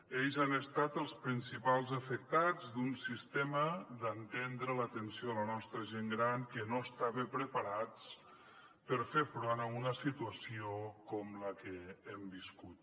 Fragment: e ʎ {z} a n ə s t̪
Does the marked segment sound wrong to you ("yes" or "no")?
no